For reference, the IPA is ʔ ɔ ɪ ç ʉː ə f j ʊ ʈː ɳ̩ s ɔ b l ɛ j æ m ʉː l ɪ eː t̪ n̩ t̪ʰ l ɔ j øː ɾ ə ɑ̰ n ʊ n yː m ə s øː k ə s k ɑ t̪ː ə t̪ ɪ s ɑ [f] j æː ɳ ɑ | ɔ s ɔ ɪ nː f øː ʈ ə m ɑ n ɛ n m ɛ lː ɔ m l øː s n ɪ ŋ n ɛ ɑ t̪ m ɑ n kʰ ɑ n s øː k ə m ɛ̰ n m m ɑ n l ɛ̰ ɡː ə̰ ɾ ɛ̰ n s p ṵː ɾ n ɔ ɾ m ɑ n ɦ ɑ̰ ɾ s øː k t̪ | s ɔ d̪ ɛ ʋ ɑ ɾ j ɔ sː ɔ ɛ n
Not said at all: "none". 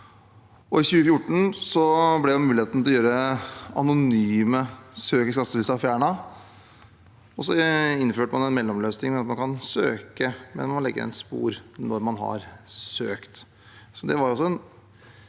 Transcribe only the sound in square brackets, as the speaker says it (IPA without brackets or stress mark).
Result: f